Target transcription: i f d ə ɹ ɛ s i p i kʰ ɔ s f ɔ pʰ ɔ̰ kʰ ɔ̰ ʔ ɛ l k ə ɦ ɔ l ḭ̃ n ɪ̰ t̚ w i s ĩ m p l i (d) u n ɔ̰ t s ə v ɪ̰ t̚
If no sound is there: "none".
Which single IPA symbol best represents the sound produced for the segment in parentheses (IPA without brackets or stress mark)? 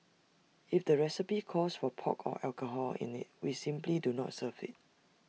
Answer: d